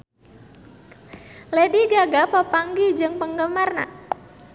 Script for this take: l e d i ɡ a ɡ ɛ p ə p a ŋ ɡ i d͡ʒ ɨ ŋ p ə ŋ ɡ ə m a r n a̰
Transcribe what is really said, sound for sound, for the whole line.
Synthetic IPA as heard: l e d i ɡ a ɡ a p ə p a ŋ ɡ i d͡ʒ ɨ ŋ p ə ŋ ɡ ə m a r n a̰